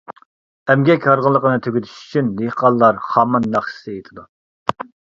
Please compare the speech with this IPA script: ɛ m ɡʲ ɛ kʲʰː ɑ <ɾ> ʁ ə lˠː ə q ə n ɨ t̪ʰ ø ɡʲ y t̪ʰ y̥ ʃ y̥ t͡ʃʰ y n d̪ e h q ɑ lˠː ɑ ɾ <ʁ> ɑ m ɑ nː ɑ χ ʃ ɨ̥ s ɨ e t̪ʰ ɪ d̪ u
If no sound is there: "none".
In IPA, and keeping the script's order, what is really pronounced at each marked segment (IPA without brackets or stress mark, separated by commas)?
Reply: ɾ, χ